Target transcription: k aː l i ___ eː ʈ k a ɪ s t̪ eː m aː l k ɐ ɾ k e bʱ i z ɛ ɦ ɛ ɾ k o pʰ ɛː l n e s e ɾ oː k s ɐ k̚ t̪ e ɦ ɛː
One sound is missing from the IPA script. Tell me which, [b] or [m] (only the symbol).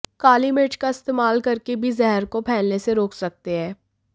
m